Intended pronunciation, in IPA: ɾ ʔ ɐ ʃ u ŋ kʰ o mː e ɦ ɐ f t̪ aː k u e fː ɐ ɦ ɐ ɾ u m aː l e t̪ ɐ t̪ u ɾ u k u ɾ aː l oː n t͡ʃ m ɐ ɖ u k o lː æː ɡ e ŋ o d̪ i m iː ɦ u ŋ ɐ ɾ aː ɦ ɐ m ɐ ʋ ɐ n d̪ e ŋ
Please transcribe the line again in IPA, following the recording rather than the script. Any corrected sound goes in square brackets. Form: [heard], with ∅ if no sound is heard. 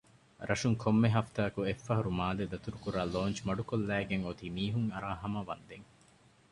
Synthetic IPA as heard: ɾ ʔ ɐ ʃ u ŋ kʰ o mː e ɦ ɐ f t̪ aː k u e fː ɐ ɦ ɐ ɾ u m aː l e [d̪] ɐ t̪ u ɾ u k u ɾ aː l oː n t͡ʃ m ɐ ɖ u k o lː æː ɡ e ŋ o [t̪] i m iː ɦ u ŋ ɐ ɾ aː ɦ ɐ m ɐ ʋ ɐ n d̪ e ŋ